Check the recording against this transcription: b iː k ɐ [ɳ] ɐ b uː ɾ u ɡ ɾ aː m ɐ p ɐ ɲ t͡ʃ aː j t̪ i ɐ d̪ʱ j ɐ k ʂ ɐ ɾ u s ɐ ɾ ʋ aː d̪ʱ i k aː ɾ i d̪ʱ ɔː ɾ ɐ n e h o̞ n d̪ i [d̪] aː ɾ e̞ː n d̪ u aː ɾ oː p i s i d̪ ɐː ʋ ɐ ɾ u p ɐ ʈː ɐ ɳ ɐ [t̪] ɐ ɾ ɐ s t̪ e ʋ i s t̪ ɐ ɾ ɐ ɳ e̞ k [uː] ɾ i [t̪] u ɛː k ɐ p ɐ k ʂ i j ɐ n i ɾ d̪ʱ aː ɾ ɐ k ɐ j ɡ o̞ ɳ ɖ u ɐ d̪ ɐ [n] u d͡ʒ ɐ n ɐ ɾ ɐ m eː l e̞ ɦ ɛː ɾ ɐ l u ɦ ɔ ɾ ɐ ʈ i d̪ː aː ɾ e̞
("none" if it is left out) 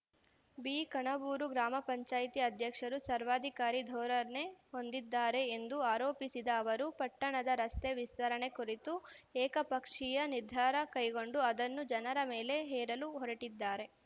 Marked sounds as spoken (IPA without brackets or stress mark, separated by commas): ɳ, d̪ː, d̪, u, t̪, nː